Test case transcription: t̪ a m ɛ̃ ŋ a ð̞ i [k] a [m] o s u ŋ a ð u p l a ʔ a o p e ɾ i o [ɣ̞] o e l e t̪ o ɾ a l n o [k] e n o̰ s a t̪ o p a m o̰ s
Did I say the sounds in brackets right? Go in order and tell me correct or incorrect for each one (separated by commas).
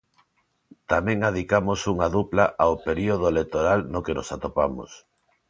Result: correct, correct, incorrect, correct